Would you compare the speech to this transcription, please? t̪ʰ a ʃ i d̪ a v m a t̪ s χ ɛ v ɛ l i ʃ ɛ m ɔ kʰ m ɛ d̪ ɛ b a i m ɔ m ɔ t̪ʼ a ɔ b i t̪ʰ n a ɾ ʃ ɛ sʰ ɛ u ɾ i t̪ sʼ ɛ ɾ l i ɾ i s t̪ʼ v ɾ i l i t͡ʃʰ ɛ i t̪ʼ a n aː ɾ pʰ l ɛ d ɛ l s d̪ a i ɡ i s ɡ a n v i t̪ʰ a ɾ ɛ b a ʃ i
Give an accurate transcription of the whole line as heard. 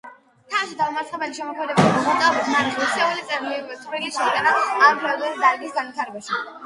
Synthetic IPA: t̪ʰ a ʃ i d̪ a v m a t̪ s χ ɛ b ɛ l i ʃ ɛ m ɔ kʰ m ɛ d̪ ɛ b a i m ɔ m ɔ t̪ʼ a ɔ b i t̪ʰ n a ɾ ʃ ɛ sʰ ɛ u l i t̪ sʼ ɛ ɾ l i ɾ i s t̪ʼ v ɾ i l i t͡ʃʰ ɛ i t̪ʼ a n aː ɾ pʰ l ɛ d ɛ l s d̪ a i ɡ i s ɡ a n v i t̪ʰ a ɾ ɛ b a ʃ i